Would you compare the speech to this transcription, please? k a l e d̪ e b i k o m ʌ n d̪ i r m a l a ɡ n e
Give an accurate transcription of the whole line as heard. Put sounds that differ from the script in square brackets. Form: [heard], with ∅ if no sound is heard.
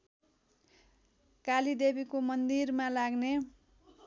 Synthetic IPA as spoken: k a l [i] d̪ e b i k o m ʌ n d̪ i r m a l a ɡ n e